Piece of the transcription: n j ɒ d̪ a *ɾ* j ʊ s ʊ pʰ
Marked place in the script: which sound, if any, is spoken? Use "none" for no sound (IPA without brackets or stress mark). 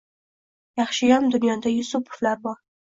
none